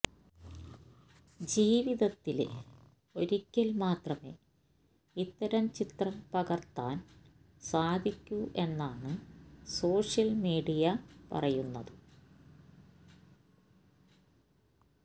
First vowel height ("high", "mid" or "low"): high